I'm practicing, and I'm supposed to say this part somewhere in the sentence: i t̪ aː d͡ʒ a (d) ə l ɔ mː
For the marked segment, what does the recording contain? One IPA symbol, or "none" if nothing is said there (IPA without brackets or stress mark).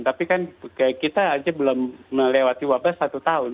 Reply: b